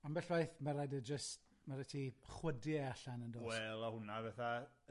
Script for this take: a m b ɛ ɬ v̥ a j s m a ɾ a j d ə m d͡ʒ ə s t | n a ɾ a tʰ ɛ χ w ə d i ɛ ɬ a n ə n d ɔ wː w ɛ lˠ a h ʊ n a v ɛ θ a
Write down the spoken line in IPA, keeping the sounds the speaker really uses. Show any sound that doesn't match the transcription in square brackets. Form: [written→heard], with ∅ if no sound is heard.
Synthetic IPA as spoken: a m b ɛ ɬ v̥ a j [s→θ] m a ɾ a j d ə [m→∅] d͡ʒ ə s t | [n→m] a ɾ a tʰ [ɛ→i] χ w ə d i [ɛ→a] ɬ a n ə n d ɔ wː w ɛ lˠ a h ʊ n a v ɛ θ a